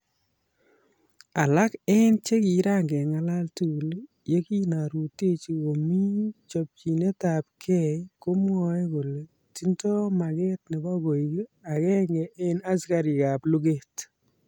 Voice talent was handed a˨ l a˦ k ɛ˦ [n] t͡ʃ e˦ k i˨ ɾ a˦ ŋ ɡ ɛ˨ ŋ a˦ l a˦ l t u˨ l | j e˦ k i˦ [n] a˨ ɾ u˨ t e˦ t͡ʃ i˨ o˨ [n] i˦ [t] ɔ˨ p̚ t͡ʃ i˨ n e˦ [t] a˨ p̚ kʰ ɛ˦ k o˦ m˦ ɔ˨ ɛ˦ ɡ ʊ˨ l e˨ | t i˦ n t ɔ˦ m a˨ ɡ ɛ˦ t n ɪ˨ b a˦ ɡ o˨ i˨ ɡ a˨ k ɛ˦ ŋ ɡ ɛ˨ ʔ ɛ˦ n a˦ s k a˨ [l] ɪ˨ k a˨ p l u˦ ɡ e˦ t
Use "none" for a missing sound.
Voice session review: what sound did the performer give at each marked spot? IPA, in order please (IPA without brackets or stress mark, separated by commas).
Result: n, n, m, t͡ʃ, t, ɾ